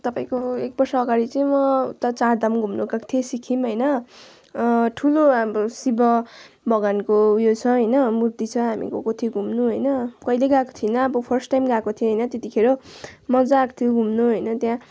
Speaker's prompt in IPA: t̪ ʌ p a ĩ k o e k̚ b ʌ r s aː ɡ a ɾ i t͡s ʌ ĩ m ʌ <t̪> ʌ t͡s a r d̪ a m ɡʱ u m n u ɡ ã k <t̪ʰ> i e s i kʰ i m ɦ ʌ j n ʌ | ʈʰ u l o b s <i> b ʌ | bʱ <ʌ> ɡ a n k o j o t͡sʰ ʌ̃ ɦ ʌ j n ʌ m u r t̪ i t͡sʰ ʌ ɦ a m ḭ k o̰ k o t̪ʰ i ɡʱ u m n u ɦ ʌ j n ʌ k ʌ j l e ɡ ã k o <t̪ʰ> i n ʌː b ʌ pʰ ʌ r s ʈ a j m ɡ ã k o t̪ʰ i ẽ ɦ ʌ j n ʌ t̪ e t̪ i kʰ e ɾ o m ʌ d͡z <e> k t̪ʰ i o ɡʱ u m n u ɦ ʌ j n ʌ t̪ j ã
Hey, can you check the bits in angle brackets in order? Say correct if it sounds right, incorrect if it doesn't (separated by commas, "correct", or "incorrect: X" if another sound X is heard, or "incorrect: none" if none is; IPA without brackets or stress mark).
correct, correct, correct, correct, correct, incorrect: a